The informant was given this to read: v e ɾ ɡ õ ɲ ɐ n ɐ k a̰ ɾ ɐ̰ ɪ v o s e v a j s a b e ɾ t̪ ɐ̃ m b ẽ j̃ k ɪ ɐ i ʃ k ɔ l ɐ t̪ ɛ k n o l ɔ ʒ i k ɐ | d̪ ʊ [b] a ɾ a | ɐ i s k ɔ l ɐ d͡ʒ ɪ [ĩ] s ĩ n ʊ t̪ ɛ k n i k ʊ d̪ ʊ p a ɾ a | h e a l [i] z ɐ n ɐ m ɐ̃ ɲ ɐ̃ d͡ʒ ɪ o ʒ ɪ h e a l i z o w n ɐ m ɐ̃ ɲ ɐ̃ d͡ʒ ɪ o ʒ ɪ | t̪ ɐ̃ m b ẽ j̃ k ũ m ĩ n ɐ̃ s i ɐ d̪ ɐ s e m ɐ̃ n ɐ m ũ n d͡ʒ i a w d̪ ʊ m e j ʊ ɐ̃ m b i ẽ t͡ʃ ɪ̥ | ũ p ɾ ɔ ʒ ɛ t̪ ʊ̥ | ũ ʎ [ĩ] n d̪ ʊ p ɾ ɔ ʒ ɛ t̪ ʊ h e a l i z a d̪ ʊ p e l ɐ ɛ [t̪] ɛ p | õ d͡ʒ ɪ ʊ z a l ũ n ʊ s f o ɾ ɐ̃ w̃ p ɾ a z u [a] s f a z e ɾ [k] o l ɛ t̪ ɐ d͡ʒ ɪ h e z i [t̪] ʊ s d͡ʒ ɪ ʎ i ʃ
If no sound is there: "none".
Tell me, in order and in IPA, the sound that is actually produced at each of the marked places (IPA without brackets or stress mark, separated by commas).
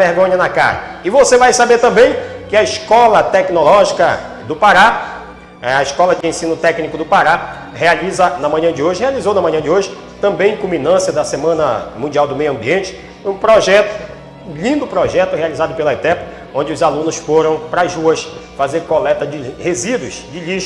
p, ẽ, i, ĩ, t̪, ɐ, k, d̪